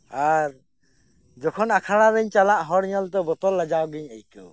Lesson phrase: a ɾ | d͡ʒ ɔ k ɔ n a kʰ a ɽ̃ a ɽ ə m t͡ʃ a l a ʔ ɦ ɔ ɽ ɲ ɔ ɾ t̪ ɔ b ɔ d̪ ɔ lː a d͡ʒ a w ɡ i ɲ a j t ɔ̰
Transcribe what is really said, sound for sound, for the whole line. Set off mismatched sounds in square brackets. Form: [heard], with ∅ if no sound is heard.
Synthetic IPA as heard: a ɾ | d͡ʒ ɔ [kʰ] ɔ n a kʰ a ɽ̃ a [ɾ] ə [ɲ] t͡ʃ a l a ʔ ɦ ɔ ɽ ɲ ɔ [l] t̪ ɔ b ɔ [t̪] ɔ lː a d͡ʒ a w ɡ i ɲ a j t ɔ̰